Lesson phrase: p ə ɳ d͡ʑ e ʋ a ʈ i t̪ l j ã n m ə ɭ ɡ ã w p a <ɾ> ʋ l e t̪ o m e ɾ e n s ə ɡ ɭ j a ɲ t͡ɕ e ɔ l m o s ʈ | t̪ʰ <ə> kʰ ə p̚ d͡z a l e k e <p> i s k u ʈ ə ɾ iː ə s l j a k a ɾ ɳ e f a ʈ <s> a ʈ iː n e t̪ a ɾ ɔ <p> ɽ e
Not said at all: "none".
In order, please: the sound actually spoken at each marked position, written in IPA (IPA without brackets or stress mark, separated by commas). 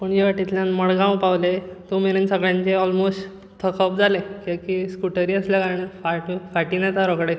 none, ə, k, f, k